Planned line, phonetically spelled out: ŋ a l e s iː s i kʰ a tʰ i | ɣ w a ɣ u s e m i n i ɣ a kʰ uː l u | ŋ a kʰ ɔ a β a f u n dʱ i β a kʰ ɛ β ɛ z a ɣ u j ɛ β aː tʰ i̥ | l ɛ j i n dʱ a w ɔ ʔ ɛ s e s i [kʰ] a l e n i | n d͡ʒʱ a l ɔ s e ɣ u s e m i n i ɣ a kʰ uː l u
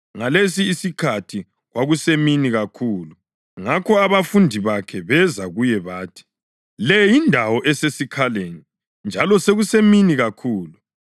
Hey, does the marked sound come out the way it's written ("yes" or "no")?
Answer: yes